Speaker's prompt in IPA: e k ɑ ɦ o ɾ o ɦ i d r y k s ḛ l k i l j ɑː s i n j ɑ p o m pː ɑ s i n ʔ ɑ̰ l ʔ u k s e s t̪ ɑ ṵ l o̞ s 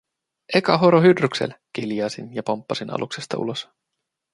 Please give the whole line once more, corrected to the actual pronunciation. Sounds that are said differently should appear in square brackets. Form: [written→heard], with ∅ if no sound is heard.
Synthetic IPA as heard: e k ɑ ɦ o ɾ o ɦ [i→y] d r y k s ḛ l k i l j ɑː s i n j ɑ p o m pː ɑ s i n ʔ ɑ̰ l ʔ u k s e s t̪ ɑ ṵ l o̞ s